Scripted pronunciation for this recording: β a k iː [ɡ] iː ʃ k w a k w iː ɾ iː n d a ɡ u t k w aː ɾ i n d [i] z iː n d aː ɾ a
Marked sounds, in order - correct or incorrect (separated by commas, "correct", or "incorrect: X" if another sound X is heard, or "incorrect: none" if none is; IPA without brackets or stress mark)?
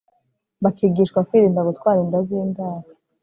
correct, incorrect: a